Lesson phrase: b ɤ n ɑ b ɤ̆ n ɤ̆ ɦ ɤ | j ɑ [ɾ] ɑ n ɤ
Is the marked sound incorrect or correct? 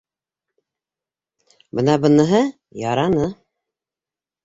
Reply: correct